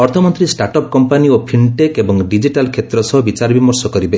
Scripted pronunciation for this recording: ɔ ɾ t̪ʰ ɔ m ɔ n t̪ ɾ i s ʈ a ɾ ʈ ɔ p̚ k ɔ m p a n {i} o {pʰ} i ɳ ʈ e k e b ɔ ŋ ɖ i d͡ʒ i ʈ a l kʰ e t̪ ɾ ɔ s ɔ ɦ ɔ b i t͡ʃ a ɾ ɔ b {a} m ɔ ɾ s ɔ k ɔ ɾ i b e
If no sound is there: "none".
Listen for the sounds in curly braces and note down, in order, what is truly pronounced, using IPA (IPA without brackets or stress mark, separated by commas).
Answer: i, pʰ, i